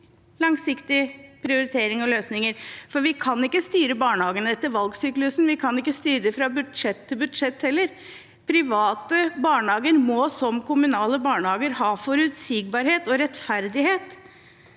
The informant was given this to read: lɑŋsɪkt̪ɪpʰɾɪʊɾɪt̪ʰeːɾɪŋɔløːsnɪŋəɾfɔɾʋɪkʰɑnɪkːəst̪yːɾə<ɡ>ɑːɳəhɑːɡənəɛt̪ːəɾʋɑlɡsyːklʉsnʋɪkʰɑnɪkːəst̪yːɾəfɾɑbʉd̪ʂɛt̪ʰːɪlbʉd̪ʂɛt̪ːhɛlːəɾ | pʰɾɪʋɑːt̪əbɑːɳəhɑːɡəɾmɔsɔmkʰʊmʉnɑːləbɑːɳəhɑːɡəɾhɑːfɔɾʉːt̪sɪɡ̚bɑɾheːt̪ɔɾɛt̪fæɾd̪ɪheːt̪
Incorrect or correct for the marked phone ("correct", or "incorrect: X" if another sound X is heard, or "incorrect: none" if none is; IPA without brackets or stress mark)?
incorrect: b